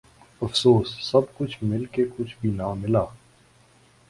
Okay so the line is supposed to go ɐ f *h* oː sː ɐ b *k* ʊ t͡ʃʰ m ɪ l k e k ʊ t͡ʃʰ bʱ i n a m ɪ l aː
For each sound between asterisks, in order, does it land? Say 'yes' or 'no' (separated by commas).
no, yes